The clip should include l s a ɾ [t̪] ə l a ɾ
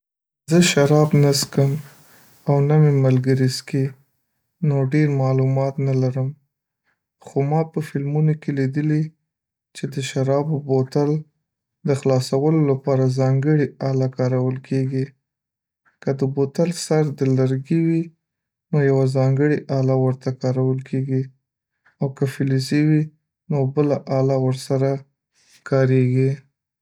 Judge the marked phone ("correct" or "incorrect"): incorrect